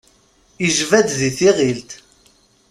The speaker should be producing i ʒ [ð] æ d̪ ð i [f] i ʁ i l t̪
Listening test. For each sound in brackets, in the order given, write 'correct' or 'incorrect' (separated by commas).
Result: incorrect, incorrect